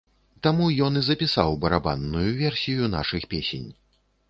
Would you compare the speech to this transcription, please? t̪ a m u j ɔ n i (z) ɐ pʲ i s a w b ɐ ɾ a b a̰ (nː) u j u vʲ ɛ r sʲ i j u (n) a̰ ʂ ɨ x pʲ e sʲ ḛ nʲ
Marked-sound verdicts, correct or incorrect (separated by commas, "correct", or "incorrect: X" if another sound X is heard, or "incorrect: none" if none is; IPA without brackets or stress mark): correct, correct, correct